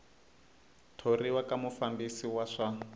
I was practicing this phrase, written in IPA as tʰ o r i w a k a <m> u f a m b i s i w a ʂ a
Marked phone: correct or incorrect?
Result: correct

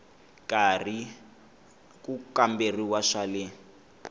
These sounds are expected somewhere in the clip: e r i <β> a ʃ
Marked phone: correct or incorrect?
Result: incorrect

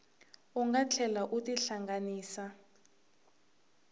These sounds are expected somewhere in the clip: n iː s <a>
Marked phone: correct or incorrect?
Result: correct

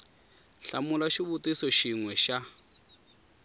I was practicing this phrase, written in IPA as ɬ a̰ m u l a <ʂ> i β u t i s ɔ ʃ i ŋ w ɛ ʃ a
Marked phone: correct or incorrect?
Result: incorrect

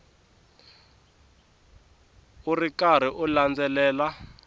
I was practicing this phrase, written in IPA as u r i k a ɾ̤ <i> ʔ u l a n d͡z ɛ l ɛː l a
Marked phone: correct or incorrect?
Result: correct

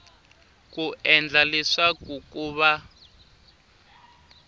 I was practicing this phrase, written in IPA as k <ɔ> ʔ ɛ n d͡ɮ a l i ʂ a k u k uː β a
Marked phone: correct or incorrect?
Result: incorrect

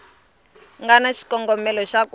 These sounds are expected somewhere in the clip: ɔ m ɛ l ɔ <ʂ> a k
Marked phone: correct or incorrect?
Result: incorrect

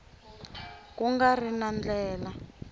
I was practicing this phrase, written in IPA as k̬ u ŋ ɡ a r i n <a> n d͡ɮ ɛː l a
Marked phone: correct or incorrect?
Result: correct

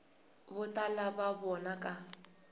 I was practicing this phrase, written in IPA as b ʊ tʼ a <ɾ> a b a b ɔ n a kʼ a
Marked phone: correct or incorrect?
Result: incorrect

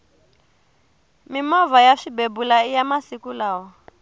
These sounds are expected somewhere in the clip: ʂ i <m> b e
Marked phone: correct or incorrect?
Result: incorrect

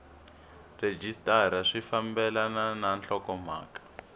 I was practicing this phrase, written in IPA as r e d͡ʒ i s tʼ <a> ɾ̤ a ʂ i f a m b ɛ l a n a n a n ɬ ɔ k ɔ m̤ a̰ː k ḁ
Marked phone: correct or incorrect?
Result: correct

